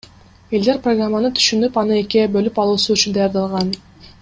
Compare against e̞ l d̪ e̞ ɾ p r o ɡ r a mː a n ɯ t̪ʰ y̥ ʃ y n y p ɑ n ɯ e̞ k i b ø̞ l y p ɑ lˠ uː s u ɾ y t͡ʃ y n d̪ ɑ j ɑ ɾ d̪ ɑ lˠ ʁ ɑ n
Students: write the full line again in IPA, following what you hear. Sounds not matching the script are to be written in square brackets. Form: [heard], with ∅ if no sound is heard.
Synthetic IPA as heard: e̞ l d̪ e̞ ɾ p r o ɡ r a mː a n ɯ t̪ʰ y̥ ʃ y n y p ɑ n ɯ e̞ k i b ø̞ l y p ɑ lˠ uː s u [∅] y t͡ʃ y n d̪ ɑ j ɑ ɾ d̪ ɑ lˠ ʁ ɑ n